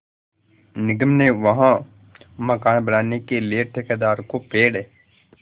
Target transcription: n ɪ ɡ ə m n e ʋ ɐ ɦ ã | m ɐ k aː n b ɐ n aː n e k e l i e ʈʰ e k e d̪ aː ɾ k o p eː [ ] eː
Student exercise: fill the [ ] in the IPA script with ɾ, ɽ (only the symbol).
ɽ